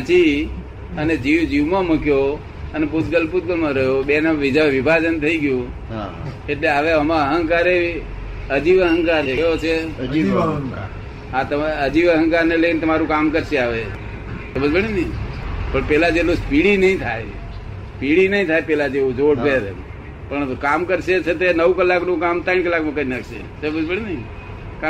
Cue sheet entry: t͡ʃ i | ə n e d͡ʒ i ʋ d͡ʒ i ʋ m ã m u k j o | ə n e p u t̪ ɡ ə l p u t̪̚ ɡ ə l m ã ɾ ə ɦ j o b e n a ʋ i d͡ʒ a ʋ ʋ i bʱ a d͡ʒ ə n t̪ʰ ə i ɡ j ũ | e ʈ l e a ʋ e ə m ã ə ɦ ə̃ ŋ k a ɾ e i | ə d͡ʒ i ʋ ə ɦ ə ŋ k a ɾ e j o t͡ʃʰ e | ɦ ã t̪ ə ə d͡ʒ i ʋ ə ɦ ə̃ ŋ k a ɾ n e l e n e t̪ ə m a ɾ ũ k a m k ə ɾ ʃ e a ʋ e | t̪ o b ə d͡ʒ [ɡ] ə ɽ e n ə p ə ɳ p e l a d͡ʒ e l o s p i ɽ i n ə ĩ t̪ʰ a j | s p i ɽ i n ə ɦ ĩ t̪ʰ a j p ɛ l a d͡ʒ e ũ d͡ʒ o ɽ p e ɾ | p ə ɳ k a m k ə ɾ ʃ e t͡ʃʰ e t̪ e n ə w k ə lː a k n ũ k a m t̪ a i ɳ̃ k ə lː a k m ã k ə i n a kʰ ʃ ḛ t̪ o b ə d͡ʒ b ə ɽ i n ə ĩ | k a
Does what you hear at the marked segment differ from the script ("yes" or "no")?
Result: yes